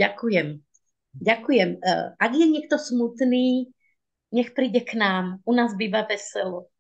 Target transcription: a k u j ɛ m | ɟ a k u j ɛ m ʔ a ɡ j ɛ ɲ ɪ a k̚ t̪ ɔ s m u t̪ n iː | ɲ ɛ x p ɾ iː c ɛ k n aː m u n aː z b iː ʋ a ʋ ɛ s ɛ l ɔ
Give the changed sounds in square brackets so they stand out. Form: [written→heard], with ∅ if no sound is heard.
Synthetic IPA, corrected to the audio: a k u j ɛ m | ɟ a k u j ɛ m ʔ a ɡ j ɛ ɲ ɪ [a→ɛ] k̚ t̪ ɔ s m u t̪ n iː | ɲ ɛ x p ɾ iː [c→ɟ] ɛ k n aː m u n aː z b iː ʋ a ʋ ɛ s ɛ l ɔ